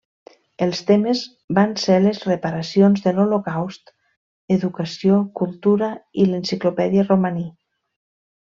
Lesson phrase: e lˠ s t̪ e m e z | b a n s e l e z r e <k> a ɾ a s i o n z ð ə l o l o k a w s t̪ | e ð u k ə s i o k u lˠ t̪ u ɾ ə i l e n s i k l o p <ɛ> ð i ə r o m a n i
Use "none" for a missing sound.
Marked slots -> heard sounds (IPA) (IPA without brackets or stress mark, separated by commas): p, ɛ